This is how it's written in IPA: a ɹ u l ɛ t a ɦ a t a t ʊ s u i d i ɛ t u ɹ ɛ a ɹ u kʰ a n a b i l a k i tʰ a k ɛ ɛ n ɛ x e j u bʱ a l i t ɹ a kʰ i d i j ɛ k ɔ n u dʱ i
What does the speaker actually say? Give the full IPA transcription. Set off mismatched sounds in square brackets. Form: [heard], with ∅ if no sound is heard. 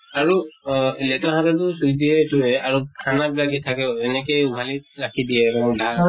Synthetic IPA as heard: a ɹ u l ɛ t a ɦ a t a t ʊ s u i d i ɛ t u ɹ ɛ a ɹ u kʰ a n a b i l a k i tʰ a k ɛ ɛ n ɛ [k] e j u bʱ a l i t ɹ a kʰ i d i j ɛ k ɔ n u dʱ [a]